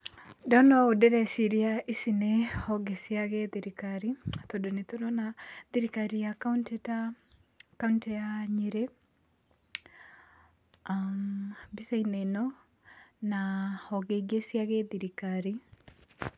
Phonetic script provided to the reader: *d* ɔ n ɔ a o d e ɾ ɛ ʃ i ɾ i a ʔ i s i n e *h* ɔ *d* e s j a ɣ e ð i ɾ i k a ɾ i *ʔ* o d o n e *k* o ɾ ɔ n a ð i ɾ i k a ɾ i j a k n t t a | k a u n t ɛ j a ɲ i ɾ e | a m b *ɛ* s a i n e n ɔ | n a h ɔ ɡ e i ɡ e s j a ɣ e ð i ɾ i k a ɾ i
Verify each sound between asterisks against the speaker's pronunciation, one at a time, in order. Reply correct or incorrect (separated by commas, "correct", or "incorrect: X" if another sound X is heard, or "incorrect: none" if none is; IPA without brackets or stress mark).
correct, correct, incorrect: ɡ, incorrect: t, incorrect: t, incorrect: i